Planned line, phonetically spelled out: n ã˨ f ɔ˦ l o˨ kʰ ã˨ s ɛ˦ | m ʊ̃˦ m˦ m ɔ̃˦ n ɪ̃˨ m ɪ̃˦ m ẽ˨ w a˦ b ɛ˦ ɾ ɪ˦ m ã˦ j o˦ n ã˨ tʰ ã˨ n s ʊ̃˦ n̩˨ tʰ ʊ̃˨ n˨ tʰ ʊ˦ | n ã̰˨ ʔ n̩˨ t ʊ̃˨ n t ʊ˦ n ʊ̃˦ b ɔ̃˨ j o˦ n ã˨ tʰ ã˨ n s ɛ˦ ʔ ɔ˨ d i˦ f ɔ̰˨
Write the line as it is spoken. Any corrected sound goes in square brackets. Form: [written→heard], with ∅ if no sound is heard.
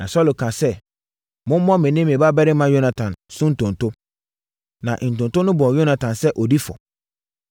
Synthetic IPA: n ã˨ [f→s] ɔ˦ l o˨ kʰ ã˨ s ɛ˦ | m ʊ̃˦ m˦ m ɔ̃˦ [n→m] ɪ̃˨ [m→n] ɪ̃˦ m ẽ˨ [w→b] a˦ b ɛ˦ ɾ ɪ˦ m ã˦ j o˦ n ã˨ tʰ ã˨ n s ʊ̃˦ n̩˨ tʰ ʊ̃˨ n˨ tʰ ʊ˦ | n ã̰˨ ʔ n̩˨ t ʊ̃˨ n t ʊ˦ n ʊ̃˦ b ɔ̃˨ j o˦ n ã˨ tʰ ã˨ n s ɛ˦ ʔ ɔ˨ d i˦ f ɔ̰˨